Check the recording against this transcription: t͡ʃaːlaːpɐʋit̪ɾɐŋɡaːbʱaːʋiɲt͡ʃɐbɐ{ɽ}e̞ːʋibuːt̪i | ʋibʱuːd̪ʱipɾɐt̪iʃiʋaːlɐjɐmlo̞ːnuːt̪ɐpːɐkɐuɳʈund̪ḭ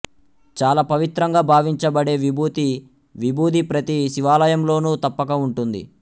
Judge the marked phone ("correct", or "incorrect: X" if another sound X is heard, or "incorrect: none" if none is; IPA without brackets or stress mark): correct